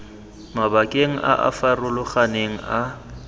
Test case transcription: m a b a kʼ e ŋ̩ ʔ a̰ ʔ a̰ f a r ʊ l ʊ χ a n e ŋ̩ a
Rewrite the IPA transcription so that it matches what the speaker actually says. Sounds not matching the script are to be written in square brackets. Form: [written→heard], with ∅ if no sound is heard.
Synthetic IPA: m a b a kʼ e ŋ̩ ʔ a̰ ʔ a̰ f a r ʊ l ʊ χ a n e ŋ̩ a